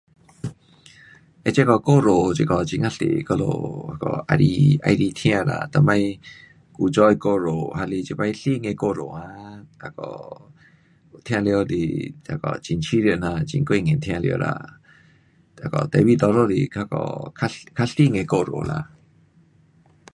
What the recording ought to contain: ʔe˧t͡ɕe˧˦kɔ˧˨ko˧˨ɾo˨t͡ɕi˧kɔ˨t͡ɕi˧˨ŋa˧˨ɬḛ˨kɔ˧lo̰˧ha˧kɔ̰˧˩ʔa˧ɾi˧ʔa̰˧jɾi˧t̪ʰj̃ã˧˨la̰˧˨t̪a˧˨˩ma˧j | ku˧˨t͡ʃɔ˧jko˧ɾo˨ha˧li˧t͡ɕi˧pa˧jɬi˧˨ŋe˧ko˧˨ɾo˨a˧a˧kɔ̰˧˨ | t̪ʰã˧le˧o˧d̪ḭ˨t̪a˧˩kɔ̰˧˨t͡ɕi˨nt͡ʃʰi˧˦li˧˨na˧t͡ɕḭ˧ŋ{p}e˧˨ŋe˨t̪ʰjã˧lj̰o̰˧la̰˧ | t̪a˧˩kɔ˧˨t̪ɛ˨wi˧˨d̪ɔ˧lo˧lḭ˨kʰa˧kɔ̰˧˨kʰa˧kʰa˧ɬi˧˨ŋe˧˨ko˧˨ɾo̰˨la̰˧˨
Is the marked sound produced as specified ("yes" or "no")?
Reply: no